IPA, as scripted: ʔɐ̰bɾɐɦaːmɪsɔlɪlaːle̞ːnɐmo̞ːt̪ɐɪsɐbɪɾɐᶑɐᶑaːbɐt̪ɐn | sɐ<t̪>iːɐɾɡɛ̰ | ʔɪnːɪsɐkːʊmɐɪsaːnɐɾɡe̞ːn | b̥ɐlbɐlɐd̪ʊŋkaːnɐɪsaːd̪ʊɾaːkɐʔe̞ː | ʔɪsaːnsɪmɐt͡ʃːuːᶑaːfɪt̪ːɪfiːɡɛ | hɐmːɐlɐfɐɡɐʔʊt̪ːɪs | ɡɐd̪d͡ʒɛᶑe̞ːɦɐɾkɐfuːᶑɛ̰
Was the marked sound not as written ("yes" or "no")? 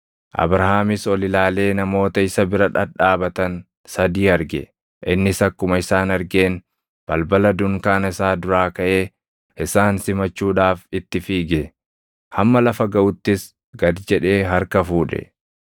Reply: yes